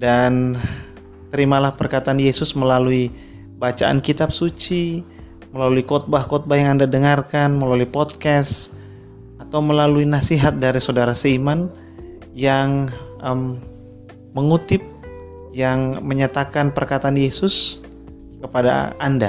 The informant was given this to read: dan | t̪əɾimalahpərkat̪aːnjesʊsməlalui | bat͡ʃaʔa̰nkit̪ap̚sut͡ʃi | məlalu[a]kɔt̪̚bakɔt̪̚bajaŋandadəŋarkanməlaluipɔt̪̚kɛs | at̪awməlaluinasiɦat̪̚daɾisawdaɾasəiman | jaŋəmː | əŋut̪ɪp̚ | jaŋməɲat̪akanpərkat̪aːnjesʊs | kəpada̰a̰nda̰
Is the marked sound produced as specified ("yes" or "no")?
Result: no